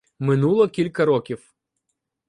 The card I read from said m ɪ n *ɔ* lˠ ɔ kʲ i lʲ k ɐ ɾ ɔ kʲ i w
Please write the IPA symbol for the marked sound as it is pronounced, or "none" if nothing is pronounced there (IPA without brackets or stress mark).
u